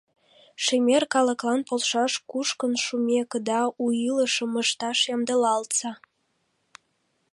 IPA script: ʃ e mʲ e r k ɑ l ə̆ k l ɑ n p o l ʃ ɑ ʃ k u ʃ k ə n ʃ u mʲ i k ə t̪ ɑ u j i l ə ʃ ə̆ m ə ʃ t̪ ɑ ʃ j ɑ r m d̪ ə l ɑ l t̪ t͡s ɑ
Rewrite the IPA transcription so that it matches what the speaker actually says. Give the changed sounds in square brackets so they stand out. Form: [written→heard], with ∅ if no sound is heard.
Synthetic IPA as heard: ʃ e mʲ e r k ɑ l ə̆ k l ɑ n p o l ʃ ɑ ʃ k u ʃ k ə n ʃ u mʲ [i→e] k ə [t̪→d̪] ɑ u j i l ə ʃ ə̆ m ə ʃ t̪ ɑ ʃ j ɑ [r→∅] m d̪ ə l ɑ l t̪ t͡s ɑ